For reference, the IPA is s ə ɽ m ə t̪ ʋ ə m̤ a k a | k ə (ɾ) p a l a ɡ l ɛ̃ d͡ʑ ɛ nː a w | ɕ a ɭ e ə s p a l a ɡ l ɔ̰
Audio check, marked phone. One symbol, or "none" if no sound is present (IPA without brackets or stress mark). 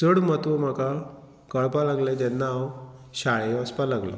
ɭ